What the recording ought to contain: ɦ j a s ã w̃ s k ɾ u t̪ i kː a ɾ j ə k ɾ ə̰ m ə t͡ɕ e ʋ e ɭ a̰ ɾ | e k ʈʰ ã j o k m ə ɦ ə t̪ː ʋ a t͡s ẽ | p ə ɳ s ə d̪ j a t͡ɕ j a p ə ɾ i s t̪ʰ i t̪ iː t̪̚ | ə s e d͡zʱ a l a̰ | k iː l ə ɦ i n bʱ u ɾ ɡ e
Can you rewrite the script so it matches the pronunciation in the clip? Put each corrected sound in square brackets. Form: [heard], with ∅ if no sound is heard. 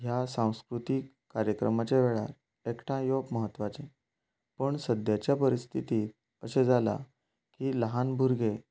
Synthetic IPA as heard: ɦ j a s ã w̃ s k ɾ u t̪ i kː a ɾ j ə k ɾ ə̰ m [a] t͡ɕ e ʋ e ɭ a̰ ɾ | e k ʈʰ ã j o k m ə ɦ ə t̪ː ʋ a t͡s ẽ | p ə ɳ s ə d̪ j a t͡ɕ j a p ə ɾ i s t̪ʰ i t̪ iː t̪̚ | ə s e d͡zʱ a l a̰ | k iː l ə ɦ [a] n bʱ u ɾ ɡ e